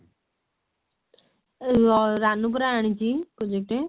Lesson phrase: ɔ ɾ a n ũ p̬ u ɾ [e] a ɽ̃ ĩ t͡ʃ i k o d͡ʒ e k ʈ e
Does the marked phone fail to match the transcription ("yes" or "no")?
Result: yes